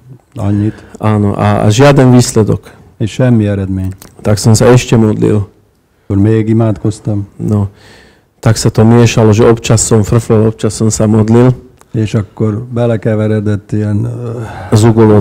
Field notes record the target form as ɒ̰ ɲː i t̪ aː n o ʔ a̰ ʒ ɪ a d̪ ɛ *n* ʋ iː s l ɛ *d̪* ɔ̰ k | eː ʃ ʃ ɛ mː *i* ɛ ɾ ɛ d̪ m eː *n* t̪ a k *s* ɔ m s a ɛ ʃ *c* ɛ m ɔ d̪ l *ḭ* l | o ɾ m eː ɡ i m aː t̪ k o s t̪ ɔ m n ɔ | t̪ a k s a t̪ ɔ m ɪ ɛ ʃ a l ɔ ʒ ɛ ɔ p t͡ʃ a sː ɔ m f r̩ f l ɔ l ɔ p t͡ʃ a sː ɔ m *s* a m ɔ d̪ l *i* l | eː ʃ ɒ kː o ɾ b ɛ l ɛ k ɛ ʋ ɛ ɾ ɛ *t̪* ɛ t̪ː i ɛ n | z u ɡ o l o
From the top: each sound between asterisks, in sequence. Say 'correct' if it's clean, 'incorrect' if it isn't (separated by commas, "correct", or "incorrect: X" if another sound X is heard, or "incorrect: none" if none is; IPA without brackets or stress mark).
correct, correct, correct, incorrect: ɲ, correct, correct, correct, correct, correct, incorrect: d̪